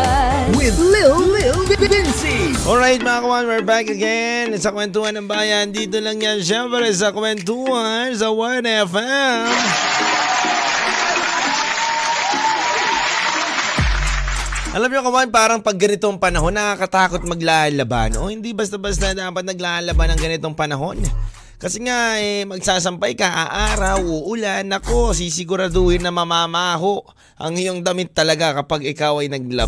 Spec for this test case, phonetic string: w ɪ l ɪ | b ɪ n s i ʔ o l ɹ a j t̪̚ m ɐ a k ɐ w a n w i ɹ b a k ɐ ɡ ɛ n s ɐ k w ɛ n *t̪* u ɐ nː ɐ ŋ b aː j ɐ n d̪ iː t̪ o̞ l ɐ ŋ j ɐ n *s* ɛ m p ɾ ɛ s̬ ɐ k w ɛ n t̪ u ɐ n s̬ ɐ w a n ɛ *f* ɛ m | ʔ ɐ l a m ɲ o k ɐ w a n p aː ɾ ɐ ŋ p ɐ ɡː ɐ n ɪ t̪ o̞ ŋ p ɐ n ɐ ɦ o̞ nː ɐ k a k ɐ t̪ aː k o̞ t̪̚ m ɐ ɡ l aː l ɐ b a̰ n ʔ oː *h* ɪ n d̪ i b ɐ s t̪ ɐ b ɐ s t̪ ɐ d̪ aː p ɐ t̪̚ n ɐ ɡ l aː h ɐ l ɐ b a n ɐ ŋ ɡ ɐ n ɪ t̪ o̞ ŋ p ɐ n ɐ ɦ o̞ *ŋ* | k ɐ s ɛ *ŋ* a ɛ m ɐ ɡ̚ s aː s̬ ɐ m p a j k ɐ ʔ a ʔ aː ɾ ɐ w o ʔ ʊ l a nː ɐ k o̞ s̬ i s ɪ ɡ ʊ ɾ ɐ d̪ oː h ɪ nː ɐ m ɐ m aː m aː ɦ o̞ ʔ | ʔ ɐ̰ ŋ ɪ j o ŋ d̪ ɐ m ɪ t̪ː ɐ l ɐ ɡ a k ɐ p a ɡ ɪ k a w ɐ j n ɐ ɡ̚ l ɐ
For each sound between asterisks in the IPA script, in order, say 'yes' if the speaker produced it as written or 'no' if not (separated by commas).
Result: yes, no, yes, yes, no, yes